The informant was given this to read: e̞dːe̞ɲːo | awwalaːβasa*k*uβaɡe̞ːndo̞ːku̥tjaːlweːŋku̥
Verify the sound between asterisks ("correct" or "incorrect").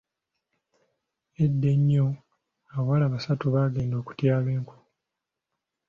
incorrect